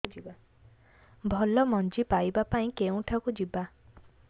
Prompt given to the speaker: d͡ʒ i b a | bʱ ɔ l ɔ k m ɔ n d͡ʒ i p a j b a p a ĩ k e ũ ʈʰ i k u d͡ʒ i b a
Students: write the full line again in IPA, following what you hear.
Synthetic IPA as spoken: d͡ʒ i b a | bʱ ɔ l ɔ m ɔ n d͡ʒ i p a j b a p a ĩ k e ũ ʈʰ a k u d͡ʒ i b a